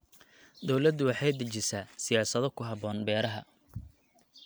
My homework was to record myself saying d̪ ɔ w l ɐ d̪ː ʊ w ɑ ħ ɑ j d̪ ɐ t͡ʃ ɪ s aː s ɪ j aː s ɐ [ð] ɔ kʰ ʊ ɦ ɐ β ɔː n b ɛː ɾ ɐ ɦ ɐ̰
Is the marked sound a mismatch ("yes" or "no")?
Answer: no